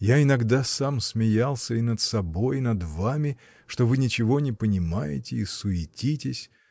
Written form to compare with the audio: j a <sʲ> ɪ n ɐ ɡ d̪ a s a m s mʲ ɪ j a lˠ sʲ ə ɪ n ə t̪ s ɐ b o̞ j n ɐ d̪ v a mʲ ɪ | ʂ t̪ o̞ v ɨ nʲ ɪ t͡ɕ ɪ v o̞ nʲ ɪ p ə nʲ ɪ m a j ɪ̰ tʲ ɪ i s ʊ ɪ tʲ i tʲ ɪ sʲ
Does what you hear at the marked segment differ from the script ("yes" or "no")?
yes